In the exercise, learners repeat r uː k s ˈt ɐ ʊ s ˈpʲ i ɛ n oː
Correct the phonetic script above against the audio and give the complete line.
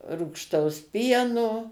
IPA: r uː k ʃ ˈt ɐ ʊ s ˈpʲ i ɛ n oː

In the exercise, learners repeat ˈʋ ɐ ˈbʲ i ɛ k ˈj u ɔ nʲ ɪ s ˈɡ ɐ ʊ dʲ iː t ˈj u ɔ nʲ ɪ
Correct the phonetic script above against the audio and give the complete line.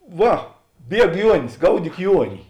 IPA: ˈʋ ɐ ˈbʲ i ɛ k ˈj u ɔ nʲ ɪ s ˈɡ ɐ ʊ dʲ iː k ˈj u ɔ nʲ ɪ

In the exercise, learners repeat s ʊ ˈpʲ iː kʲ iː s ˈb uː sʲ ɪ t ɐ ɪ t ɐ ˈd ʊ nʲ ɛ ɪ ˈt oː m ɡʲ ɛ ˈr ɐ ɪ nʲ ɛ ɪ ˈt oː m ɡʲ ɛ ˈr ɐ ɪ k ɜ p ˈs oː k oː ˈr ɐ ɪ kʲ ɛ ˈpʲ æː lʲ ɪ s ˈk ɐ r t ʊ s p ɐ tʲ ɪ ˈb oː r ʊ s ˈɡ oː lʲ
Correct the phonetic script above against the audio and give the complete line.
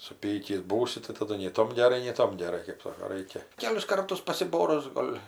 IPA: s ʊ ˈpʲ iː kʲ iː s ˈb uː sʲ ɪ t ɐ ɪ t ɐ ˈd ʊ nʲ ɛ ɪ ˈt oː m ɡʲ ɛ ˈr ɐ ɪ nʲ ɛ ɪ ˈt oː m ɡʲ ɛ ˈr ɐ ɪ k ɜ p ˈs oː k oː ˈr ɐ ɪ kʲ ɛ ˈkʲ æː lʲ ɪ s ˈk ɐ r t ʊ s p ɐ sʲ ɪ ˈb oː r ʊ s ˈɡ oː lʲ

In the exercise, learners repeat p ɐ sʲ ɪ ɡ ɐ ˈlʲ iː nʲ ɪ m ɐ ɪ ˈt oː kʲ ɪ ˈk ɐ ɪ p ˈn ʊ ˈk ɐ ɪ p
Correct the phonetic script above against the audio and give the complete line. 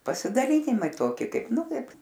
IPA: p ɐ sʲ ɪ d ɐ ˈlʲ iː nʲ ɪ m ɐ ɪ ˈt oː kʲ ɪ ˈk ɐ ɪ p ˈn ʊ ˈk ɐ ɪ p

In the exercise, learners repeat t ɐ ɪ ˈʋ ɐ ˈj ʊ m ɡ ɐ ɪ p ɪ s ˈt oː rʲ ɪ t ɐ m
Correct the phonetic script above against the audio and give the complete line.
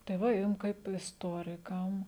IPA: t ɐ ɪ ˈʋ ɐ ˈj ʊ m k ɐ ɪ p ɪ s ˈt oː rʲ ɪ k ɐ m

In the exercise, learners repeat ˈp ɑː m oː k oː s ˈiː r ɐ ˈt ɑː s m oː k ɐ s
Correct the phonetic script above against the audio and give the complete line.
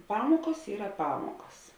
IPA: ˈp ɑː m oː k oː s ˈiː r ɐ ˈp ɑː m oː k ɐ s

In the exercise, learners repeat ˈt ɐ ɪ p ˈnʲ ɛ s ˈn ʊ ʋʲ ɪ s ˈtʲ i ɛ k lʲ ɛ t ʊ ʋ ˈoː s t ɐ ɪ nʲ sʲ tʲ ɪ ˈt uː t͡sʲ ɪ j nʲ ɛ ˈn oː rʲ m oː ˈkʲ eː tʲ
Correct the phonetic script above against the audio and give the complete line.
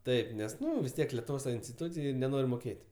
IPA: ˈt ɐ ɪ p ˈnʲ ɛ s ˈn ʊ ʋʲ ɪ s ˈtʲ i ɛ k lʲ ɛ t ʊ ʋ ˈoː s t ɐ ɪ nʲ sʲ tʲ ɪ ˈt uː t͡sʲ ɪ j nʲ ɛ ˈn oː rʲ m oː ˈkʲ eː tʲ

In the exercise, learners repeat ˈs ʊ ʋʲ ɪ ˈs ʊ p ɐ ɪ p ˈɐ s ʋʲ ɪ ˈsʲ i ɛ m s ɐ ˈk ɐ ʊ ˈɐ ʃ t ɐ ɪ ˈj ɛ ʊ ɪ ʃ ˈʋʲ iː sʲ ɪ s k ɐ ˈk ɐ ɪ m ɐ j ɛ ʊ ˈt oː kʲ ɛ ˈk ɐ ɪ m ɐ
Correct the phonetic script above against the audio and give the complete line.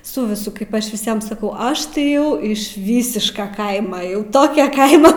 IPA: ˈs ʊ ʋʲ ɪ ˈs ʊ k ɐ ɪ p ˈɐ ʃ ʋʲ ɪ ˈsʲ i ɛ m s ɐ ˈk ɐ ʊ ˈɐ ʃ t ɐ ɪ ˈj ɛ ʊ ɪ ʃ ˈʋʲ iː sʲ ɪ ʃ k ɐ ˈk ɐ ɪ m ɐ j ɛ ʊ ˈt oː kʲ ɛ ˈk ɐ ɪ m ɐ

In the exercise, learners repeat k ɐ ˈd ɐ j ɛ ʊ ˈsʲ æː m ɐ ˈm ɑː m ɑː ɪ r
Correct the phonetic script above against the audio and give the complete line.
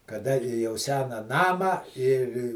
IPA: k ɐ ˈd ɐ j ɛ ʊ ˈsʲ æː n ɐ ˈn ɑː m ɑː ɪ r

